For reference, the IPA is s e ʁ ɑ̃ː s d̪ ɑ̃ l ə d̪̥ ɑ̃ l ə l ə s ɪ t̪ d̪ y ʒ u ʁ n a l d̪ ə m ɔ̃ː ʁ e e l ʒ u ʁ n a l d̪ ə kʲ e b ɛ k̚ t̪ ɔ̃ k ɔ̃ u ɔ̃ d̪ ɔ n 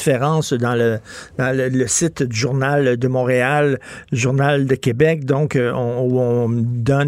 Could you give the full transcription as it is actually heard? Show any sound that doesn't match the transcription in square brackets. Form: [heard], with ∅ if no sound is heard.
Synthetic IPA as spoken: [f] e ʁ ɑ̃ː s d̪ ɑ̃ l ə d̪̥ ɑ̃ l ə l ə s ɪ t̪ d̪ y ʒ u ʁ n a l d̪ ə m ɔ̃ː ʁ e [a] l ʒ u ʁ n a l d̪ ə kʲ e b ɛ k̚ [d̪] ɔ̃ k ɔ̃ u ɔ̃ d̪ ɔ n